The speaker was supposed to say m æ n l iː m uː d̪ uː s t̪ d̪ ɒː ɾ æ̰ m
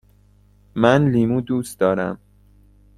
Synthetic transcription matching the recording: m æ n l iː m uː d̪ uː s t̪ d̪ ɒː ɾ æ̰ m

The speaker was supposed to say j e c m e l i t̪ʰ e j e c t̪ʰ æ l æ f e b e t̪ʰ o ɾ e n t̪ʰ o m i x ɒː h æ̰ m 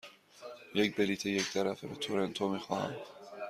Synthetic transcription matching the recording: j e c b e l i t̪ʰ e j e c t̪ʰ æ ɾ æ f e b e t̪ʰ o ɾ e n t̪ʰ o m i x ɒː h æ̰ m

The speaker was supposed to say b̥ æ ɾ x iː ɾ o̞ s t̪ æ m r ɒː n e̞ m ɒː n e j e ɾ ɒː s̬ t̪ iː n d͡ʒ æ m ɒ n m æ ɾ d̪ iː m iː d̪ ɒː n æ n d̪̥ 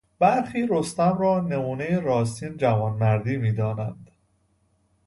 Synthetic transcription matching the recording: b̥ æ ɾ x iː ɾ o̞ s t̪ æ m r ɒː n e̞ m uː n e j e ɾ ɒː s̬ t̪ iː n d͡ʒ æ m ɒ n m æ ɾ d̪ iː m iː d̪ ɒː n æ n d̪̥

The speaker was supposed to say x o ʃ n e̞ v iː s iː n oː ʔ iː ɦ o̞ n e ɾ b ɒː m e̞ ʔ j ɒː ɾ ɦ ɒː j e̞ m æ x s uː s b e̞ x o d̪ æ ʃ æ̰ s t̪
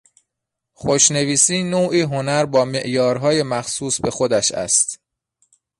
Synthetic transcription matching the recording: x o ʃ n e̞ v iː s iː n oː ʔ iː ɦ o̞ n æ ɾ b ɒː m e̞ ʔ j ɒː ɾ ɦ ɒː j e̞ m æ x s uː s b e̞ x o d̪ æ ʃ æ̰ s t̪

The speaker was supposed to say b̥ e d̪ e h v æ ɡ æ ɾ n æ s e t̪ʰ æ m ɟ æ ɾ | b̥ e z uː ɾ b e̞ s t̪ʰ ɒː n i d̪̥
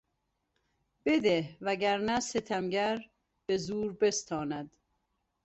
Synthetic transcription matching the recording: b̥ e d̪ e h v æ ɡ æ ɾ n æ s e t̪ʰ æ m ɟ æ ɾ | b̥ e z uː ɾ b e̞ s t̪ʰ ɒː n æ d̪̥

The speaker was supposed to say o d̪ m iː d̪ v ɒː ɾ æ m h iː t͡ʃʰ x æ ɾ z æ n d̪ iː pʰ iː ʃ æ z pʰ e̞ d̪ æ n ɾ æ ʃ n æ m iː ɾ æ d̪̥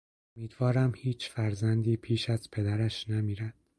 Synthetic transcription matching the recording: o m iː d̪ v ɒː ɾ æ m h iː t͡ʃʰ f æ ɾ z æ n d̪ iː pʰ iː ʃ æ z pʰ e̞ d̪ æ ɾ æ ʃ n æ m iː ɾ æ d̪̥

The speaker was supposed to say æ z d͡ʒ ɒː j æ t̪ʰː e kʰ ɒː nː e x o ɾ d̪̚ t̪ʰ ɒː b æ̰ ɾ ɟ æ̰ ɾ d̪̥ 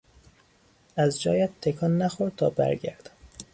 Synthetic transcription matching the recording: æ z d͡ʒ ɒː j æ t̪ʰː e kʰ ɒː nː æ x o ɾ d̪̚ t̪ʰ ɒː b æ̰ ɾ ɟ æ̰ ɾ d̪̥

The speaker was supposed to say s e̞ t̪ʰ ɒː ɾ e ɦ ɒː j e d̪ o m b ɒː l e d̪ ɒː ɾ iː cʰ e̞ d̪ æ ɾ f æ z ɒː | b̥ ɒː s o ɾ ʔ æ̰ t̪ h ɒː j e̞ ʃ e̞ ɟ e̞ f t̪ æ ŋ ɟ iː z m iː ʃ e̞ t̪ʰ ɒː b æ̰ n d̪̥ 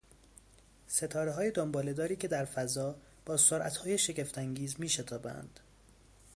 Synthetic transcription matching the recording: s e̞ t̪ʰ ɒː ɾ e ɦ ɒː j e d̪ o m b ɒː l e d̪ ɒː ɾ iː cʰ e̞ d̪ æ ɾ f æ z ɒː | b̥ ɒː s o ɾ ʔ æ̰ t̪ h ɒː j e̞ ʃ e̞ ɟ e̞ f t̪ æ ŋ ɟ iː z m iː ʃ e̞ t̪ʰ ɒː b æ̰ n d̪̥

